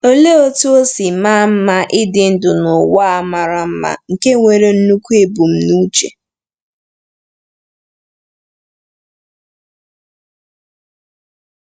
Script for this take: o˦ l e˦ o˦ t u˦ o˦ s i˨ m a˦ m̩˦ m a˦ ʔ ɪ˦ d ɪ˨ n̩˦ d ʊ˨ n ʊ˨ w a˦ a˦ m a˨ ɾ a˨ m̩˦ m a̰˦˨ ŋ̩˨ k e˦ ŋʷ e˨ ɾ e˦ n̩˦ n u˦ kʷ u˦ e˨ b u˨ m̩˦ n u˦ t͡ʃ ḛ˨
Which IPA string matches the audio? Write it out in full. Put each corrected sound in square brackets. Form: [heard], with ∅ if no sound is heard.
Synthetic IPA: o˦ l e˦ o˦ t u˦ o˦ s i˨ m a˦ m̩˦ m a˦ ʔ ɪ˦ d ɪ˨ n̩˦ d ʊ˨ n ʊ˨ w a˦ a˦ m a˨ ɾ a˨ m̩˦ m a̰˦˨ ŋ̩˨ k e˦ ŋʷ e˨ ɾ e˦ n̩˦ n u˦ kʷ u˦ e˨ b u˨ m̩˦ n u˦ t͡ʃ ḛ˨